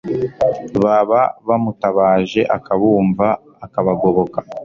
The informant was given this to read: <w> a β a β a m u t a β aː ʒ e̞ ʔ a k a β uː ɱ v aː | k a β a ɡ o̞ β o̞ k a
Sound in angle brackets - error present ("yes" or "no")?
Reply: yes